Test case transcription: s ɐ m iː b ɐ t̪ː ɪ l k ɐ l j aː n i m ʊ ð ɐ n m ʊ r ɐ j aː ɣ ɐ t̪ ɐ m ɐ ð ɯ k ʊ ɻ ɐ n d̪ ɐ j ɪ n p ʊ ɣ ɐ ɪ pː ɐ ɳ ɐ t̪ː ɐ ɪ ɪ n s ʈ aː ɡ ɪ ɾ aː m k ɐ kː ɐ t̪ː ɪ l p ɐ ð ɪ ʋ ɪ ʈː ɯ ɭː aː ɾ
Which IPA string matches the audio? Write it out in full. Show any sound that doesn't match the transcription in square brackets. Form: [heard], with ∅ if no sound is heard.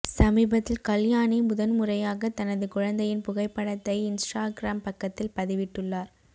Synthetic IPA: s ɐ m iː b ɐ t̪ː ɪ l k ɐ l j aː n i m ʊ ð ɐ n m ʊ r ɐ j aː ɣ ɐ t̪ ɐ [n] ɐ ð ɯ k ʊ ɻ ɐ n d̪ ɐ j ɪ n p ʊ ɣ ɐ ɪ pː ɐ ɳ ɐ t̪ː ɐ ɪ ɪ n s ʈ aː ɡ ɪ ɾ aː m [p] ɐ kː ɐ t̪ː ɪ l p ɐ ð ɪ ʋ ɪ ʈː ɯ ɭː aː ɾ